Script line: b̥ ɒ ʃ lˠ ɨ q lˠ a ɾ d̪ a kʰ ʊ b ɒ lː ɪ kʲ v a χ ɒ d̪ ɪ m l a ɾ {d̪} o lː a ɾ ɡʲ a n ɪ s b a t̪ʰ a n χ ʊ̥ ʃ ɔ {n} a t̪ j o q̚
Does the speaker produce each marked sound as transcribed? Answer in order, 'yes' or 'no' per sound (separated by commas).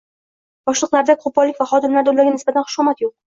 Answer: yes, no